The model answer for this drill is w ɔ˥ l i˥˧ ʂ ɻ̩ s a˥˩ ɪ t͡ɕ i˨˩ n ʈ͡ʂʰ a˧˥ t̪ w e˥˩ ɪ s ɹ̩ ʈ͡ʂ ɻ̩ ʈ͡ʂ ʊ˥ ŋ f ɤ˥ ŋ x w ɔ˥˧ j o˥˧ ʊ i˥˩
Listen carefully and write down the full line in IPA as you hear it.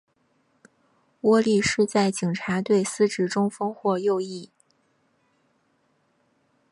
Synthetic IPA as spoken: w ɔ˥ l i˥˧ ʂ ɻ̩ t͡s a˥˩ ɪ t͡ɕ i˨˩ ŋ ʈ͡ʂʰ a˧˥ t̪ w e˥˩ ɪ s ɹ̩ ʈ͡ʂ ɻ̩ ʈ͡ʂ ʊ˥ ŋ f ɤ˥ ŋ x w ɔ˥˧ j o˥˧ ʊ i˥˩